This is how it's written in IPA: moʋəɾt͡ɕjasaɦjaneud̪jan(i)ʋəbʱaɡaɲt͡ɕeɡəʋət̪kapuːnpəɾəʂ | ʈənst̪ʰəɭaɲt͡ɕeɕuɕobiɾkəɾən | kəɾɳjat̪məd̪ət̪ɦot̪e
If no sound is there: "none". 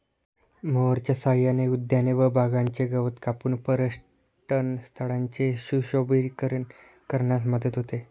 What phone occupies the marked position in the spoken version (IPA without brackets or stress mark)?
e